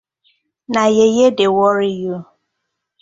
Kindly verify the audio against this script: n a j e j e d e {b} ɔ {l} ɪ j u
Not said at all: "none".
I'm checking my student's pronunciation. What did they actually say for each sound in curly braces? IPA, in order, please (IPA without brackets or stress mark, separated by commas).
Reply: w, ɾ